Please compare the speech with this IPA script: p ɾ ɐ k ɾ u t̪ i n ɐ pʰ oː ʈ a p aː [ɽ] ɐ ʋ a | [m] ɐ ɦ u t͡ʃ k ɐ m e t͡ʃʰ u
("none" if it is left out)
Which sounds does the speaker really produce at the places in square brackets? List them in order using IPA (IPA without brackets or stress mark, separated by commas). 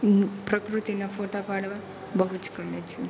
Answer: ɽ, b